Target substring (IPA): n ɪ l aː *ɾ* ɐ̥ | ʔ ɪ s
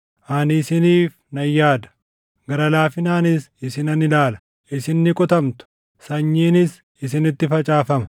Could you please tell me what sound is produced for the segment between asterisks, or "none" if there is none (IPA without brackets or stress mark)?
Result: l